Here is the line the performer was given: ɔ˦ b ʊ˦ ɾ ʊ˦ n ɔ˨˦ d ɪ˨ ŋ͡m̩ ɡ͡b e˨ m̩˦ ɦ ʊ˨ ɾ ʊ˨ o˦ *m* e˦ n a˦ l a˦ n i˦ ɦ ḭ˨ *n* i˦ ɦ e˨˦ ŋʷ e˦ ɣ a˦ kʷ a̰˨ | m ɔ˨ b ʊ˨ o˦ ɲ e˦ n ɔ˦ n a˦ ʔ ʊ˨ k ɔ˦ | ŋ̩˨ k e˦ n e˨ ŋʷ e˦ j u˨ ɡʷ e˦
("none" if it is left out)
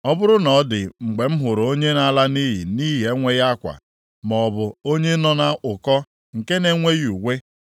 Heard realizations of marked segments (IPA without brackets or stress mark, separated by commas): ɲ, n